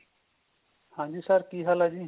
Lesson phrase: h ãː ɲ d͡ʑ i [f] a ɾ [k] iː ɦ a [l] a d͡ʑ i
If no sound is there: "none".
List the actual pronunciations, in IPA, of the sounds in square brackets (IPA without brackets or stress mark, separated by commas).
s, k, l